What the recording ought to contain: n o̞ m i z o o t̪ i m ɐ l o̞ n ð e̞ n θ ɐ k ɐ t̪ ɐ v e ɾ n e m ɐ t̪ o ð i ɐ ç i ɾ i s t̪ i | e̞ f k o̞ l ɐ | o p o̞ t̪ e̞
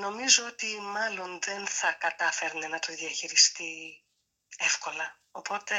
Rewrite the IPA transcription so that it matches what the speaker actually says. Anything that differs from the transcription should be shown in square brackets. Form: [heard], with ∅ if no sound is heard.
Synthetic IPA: n o̞ m i z o o t̪ i m ɐ l o̞ n ð e̞ n θ ɐ k ɐ t̪ ɐ [f] e ɾ n e [n] ɐ t̪ o ð i ɐ ç i ɾ i s t̪ i | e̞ f k o̞ l ɐ | o p o̞ t̪ e̞